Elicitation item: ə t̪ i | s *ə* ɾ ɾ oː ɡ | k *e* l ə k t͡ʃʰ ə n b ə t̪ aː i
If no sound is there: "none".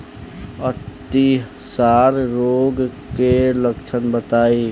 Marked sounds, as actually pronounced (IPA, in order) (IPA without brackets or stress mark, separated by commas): a, e